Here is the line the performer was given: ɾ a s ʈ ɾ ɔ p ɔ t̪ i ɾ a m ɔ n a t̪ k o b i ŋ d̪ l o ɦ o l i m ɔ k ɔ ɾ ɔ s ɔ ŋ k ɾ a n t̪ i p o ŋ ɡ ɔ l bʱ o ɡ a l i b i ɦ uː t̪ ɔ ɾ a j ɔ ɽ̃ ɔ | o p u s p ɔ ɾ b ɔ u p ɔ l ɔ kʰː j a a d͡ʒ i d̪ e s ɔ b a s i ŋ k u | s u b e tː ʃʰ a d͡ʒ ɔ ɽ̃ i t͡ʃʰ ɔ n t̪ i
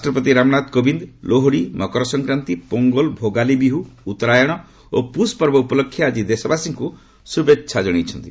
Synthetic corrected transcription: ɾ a s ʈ ɾ ɔ p ɔ t̪ i ɾ a m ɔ n a t̪ k o b i n d̪ l o ɦ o ɽ i m ɔ k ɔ ɾ ɔ s ɔ ŋ k ɾ a n t̪ i p o ŋ ɡ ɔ l bʱ o ɡ a l i b i ɦ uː t̪ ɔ ɾ a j ɔ ɽ̃ ɔ | o p u s p ɔ ɾ b ɔ u p ɔ l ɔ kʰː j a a d͡ʒ i d̪ e s ɔ b a s i ŋ k u | s u b e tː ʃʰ a d͡ʒ ɔ ɽ̃ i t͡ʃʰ ɔ n t̪ i